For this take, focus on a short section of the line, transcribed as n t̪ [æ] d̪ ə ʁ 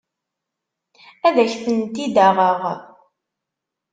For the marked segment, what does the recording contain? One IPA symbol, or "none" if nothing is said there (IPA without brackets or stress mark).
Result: i